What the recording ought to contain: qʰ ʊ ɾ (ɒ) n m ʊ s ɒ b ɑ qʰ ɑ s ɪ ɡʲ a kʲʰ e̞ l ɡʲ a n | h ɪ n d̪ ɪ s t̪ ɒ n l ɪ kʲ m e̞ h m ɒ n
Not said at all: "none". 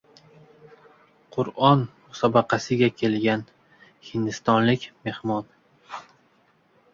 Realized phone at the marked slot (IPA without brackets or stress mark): ɒ